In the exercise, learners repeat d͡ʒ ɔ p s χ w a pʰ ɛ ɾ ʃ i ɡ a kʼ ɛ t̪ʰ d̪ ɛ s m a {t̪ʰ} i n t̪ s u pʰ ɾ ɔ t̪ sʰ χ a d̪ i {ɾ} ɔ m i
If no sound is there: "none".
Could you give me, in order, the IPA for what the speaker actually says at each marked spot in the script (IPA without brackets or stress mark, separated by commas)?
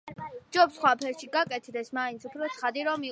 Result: none, ɾ